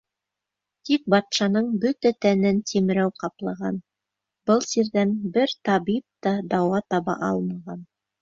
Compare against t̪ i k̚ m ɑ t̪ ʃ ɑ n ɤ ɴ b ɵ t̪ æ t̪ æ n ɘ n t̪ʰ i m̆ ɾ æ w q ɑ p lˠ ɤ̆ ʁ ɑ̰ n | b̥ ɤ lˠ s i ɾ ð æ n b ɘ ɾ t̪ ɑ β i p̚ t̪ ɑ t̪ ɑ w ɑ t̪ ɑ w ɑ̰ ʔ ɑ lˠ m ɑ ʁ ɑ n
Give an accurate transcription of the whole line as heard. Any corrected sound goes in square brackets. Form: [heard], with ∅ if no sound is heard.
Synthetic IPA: t̪ i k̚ [b] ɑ t̪ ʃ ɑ n ɤ ɴ b ɵ t̪ æ t̪ æ n ɘ n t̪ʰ i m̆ ɾ æ w q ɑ p lˠ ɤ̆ ʁ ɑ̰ n | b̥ ɤ lˠ s i ɾ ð æ n b ɘ ɾ t̪ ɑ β i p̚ t̪ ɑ [d̪] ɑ w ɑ t̪ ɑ [β] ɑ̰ ʔ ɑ lˠ m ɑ ʁ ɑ n